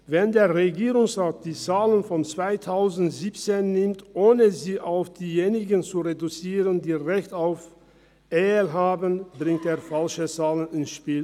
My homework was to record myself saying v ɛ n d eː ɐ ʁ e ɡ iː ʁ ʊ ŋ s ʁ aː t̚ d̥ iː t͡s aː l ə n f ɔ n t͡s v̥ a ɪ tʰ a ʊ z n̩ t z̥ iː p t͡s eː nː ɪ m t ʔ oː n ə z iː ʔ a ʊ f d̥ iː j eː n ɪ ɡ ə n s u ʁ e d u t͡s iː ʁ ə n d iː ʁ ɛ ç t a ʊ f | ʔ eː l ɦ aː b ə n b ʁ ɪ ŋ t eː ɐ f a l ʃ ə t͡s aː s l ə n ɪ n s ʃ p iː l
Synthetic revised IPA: v ɛ n d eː ɐ ʁ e ɡ iː ʁ ʊ ŋ s ʁ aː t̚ d̥ iː t͡s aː l ə n f ɔ n t͡s v̥ a ɪ tʰ a ʊ z n̩ t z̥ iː p t͡s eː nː ɪ m t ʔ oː n ə z iː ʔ a ʊ f d̥ iː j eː n ɪ ɡ ə n t͡s u ʁ e d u t͡s iː ʁ ə n d iː ʁ ɛ ç t a ʊ f | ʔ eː l ɦ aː b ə n b ʁ ɪ ŋ t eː ɐ f a l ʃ ə t͡s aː l ə n ɪ n s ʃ p iː l